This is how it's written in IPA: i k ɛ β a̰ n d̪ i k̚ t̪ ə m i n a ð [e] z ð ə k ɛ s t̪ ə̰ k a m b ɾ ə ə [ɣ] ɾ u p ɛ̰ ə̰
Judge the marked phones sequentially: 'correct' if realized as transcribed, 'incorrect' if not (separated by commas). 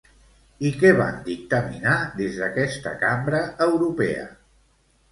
correct, incorrect